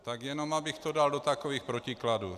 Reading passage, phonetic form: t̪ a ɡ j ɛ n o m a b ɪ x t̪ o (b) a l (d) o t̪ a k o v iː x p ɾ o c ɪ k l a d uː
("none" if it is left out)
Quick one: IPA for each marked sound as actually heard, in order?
d, d

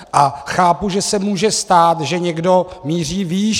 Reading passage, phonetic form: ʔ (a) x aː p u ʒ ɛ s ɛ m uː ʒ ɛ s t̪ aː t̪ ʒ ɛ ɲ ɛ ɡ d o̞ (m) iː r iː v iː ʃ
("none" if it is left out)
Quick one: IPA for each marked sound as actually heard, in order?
a, m

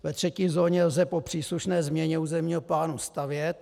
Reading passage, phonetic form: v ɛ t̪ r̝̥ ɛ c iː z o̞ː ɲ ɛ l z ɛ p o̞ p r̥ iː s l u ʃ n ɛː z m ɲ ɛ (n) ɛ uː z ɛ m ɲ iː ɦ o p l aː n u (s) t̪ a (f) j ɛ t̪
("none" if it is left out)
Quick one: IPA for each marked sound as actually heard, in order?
ɲ, s, v

